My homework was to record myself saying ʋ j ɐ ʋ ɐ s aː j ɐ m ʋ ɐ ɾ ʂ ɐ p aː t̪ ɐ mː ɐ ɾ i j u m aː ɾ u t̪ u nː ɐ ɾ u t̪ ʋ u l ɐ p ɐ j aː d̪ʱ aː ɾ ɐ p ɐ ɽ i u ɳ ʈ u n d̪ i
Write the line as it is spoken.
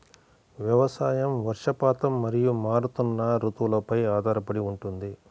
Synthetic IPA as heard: ʋ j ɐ ʋ ɐ s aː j ɐ m ʋ ɐ ɾ ʂ ɐ p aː t̪ ɐ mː ɐ ɾ i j u m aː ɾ u t̪ u nː ɐ ɾ u t̪ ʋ u l ɐ p ɐ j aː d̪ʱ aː ɾ ɐ p ɐ ɽ i u ɳ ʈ u n d̪ i